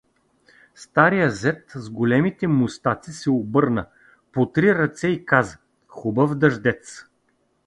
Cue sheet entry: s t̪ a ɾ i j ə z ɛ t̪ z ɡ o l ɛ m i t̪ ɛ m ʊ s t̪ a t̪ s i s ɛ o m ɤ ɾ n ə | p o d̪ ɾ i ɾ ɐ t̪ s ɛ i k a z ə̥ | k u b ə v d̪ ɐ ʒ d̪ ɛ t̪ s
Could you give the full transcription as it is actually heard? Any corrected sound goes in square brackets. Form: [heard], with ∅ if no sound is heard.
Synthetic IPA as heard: s t̪ a ɾ i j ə z ɛ t̪ z ɡ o l ɛ m i t̪ ɛ m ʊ s t̪ a t̪ s i s ɛ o [b] ɤ ɾ n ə | p o [t̪] ɾ i ɾ ɐ t̪ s ɛ i k a z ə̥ | [x] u b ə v d̪ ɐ ʒ d̪ ɛ t̪ s